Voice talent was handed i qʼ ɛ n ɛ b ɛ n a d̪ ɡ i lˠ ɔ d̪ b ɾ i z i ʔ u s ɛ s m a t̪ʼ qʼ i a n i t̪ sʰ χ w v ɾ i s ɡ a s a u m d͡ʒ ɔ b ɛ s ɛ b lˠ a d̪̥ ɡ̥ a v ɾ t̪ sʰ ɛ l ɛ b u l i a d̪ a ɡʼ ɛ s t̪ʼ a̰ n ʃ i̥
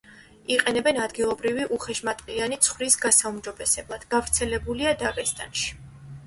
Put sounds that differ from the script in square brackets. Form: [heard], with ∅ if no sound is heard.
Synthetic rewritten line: i qʼ ɛ n ɛ b ɛ n a d̪ ɡ i lˠ ɔ [∅] b ɾ i [v] i ʔ u [χ] ɛ [ʃ] m a t̪ʼ qʼ i a n i t̪ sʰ χ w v ɾ i s ɡ a s a u m d͡ʒ ɔ b ɛ s ɛ b lˠ a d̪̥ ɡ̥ a v ɾ t̪ sʰ ɛ l ɛ b u l i a d̪ a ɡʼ ɛ s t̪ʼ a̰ n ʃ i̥